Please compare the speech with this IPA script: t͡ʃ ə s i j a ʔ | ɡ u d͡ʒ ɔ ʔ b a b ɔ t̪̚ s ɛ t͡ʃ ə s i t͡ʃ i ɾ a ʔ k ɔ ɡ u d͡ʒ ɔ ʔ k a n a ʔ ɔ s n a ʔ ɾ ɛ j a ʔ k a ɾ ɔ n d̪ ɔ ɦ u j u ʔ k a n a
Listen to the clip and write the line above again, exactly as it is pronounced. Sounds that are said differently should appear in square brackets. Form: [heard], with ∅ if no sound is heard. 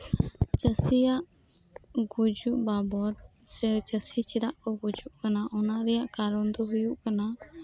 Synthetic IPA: t͡ʃ ə s i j a ʔ | ɡ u d͡ʒ [u] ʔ b a b ɔ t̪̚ s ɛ t͡ʃ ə s i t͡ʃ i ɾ a ʔ k ɔ ɡ u d͡ʒ [u] ʔ k a n a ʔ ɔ [∅] n a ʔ ɾ ɛ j a ʔ k a ɾ ɔ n d̪ ɔ ɦ u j u ʔ k a n a